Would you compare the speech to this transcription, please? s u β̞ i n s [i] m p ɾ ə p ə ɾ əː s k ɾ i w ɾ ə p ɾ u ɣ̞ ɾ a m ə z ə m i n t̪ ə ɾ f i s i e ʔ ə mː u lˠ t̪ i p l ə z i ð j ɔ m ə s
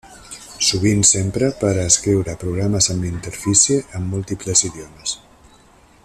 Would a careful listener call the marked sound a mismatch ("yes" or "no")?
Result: yes